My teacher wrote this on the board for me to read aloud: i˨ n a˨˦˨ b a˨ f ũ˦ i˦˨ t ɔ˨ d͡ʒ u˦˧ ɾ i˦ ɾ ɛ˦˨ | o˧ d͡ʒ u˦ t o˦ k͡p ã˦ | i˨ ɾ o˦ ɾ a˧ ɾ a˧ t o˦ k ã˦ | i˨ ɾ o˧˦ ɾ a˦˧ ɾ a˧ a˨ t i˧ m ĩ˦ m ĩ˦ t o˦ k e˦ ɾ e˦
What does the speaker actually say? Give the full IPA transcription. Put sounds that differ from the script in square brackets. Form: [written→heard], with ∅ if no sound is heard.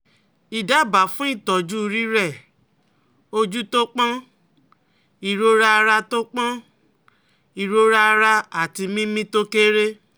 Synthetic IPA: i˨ [n→d] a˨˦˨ b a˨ f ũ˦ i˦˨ t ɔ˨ d͡ʒ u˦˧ ɾ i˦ ɾ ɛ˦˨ | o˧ d͡ʒ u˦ t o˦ k͡p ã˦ | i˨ ɾ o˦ ɾ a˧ ɾ a˧ t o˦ [k→k͡p] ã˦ | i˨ ɾ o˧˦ ɾ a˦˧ ɾ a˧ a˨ t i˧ m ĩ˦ m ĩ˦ t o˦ k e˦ ɾ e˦